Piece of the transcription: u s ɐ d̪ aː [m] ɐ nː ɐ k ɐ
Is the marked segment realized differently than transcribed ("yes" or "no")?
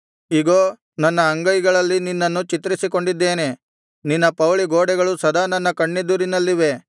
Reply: yes